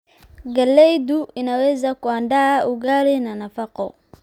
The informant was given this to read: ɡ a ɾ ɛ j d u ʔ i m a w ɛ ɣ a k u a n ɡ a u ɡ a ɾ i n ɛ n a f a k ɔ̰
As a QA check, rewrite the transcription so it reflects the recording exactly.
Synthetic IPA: ɡ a l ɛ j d u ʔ i n a w ɛ z a k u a n d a u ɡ a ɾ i n a n a f a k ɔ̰